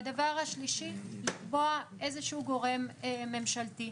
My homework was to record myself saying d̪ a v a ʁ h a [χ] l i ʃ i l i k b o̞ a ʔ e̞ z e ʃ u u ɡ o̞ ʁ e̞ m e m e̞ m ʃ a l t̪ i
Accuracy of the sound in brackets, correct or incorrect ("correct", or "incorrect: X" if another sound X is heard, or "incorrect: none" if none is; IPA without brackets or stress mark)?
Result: incorrect: ʃ